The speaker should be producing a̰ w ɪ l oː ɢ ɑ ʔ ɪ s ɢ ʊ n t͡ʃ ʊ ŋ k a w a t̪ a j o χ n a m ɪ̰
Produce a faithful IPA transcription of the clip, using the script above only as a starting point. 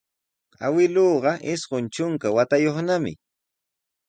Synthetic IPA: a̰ w ɪ l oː ɢ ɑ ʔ ɪ s ɢ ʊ n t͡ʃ ʊ ŋ k a w a t̪ a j o χ n a m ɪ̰